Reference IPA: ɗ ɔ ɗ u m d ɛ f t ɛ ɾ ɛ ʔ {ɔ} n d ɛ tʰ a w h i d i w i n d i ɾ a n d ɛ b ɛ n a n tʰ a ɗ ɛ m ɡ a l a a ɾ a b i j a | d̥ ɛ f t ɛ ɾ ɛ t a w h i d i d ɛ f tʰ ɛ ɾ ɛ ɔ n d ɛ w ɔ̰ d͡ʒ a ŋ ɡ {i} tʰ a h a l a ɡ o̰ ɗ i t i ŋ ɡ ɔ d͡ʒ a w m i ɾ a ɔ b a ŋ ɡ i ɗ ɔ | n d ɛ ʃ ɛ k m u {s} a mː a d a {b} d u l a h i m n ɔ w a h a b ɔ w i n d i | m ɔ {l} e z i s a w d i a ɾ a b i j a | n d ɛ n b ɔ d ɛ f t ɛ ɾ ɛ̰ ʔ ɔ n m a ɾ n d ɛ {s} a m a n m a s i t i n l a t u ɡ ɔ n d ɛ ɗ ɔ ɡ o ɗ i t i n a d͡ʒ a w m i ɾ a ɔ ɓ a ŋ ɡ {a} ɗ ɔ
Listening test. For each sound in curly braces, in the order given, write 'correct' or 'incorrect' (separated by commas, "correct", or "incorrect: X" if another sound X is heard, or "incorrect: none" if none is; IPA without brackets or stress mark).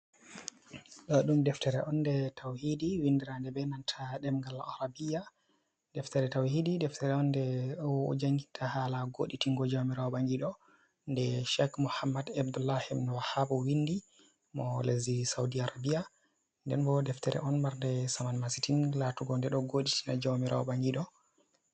correct, correct, incorrect: h, correct, correct, correct, incorrect: i